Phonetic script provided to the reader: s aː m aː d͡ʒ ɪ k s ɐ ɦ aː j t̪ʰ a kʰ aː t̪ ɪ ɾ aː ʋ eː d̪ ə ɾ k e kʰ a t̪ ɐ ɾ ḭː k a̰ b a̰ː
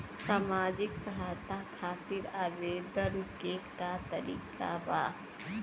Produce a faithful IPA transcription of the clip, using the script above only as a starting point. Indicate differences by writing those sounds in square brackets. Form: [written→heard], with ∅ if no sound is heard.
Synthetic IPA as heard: s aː m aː d͡ʒ ɪ k s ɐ ɦ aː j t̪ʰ a kʰ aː t̪ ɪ ɾ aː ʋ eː d̪ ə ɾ k e [kʰ→k] a t̪ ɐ ɾ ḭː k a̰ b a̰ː